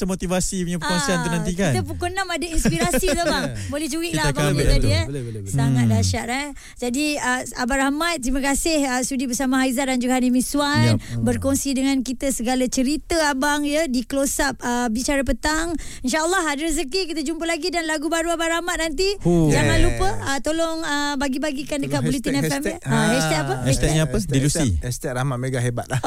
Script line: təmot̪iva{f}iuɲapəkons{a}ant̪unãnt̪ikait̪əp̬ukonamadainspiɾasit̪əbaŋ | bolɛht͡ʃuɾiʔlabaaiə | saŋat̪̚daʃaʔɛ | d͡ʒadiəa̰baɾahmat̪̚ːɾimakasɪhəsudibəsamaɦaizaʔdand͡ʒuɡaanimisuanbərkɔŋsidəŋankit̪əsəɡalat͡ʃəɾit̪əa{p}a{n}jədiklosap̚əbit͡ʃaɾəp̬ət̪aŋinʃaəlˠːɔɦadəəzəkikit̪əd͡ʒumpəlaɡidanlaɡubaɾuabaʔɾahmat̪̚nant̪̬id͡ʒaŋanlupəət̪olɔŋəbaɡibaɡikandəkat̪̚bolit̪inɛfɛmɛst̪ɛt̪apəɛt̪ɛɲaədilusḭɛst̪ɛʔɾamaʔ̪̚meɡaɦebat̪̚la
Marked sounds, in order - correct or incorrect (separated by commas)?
incorrect, incorrect, incorrect, incorrect